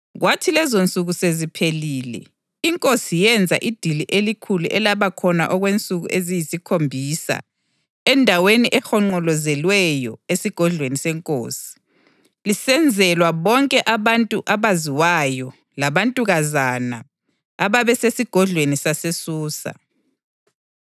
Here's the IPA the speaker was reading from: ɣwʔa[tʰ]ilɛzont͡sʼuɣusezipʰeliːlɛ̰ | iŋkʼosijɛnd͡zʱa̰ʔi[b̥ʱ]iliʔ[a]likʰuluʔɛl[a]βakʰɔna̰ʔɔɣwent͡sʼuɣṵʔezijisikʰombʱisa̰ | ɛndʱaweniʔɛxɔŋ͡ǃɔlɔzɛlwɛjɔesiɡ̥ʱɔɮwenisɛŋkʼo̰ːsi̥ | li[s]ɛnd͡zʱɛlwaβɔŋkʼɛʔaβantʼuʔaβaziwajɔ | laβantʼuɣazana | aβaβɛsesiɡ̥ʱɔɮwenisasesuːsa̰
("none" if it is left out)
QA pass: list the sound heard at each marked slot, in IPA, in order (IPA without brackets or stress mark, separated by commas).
tʰ, d̥ʱ, e, a, s